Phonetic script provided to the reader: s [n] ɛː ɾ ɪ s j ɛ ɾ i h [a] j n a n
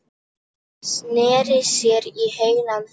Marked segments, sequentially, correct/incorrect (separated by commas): correct, incorrect